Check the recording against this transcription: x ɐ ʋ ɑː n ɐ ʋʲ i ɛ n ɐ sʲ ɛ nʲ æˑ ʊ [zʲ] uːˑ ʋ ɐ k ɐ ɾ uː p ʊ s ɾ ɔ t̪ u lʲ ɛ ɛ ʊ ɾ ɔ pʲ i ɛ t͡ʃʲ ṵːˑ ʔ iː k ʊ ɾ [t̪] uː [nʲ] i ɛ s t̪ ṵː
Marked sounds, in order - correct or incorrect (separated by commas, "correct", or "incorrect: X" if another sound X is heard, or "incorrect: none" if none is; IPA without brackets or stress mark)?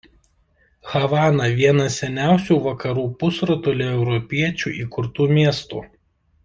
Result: incorrect: sʲ, correct, incorrect: mʲ